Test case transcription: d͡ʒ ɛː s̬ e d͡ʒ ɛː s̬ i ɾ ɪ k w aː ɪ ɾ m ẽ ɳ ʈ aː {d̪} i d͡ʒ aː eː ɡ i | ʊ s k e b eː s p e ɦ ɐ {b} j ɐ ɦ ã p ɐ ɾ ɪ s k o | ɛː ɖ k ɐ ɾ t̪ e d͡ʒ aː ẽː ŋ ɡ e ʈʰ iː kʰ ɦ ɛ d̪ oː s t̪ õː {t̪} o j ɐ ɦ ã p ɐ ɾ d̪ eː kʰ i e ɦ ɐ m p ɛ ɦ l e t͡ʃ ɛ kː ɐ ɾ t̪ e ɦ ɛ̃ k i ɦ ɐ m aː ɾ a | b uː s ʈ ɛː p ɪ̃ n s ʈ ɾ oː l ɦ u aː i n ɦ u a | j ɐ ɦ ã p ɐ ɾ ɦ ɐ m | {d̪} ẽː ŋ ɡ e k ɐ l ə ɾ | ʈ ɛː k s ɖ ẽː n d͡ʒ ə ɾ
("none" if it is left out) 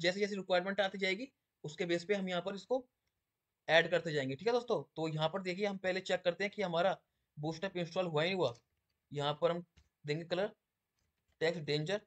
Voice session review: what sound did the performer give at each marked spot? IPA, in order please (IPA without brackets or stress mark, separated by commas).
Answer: t̪, m, t̪, d̪